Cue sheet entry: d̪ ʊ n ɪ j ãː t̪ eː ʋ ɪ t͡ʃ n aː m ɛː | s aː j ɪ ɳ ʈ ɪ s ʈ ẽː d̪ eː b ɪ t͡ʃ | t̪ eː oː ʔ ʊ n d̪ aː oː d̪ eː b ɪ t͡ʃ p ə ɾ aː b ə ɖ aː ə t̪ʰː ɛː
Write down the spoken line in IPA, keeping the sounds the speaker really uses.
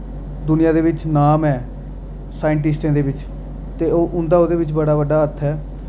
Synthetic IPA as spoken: d̪ ʊ n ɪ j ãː d̪ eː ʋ ɪ t͡ʃ n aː m ɛː | s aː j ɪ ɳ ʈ ɪ s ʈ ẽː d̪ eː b ɪ t͡ʃ | t̪ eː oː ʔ ʊ n d̪ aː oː d̪ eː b ɪ t͡ʃ b ə ɽ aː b ə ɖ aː ə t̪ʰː ɛː